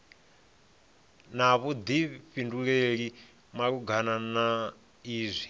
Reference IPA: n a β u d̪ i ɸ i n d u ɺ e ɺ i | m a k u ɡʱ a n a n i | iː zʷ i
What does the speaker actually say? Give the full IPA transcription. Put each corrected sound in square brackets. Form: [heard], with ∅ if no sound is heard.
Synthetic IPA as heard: n a β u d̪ i ɸ i n d u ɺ e ɺ i | m a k u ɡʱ a n a n [a] | iː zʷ i